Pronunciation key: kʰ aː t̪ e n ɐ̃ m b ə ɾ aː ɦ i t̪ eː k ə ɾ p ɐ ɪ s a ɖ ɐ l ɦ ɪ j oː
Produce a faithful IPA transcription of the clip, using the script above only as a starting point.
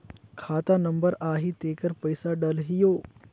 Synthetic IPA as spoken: kʰ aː t̪ a n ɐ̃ m b ə ɾ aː ɦ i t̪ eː k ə ɾ p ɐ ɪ s a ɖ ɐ l ɦ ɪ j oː